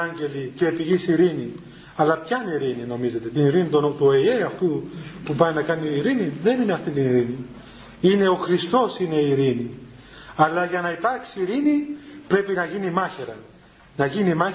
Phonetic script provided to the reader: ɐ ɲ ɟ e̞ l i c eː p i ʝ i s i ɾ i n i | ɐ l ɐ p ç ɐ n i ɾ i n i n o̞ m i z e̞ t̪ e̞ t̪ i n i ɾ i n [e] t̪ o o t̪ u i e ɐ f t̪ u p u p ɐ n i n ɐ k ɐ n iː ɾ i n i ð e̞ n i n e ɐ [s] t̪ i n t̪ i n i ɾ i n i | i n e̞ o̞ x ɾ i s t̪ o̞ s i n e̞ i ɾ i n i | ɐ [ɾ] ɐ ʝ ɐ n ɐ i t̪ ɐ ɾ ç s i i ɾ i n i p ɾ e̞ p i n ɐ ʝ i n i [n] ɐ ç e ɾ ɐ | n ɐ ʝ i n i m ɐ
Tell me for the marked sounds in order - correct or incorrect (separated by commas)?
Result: incorrect, incorrect, incorrect, incorrect